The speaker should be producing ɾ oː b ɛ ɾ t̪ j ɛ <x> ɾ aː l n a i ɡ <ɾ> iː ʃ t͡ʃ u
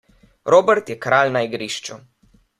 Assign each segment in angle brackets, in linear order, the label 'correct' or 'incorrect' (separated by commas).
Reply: incorrect, correct